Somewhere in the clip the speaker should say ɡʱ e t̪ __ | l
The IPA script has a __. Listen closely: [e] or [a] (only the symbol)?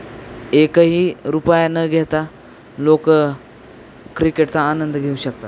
a